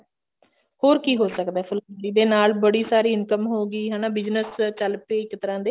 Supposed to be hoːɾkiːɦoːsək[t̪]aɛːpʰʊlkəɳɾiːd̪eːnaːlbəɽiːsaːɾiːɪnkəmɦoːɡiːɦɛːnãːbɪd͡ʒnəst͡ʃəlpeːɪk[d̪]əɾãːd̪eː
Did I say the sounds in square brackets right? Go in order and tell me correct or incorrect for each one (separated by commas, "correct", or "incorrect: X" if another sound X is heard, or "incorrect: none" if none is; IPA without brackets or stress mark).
incorrect: d̪, incorrect: t̪